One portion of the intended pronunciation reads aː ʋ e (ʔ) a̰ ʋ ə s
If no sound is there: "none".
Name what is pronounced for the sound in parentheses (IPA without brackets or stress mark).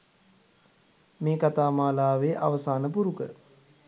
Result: ʔ